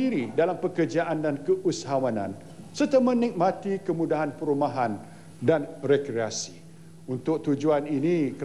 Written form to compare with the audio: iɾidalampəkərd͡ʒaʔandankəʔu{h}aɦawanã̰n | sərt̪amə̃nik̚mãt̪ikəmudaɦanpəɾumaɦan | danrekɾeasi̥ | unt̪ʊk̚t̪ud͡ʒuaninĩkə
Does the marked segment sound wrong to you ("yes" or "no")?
yes